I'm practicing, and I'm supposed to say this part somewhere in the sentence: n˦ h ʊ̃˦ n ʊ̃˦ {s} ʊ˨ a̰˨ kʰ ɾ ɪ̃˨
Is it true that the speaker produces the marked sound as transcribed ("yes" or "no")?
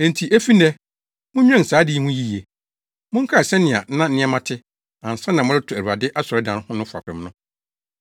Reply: no